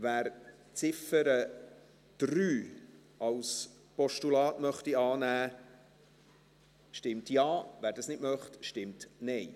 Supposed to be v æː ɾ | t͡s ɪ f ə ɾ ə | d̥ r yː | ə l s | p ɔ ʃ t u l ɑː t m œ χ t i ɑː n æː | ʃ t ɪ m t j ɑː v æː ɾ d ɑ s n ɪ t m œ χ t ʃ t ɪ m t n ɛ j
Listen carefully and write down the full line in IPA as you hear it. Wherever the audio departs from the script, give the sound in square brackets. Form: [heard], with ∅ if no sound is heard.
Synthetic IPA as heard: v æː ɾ | t͡s ɪ f ə ɾ ə | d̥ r yː | [ɑ] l s | p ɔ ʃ t u l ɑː t m œ χ t i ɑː n æː | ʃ t ɪ m t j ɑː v æː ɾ d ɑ s n ɪ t m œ χ t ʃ t ɪ m t n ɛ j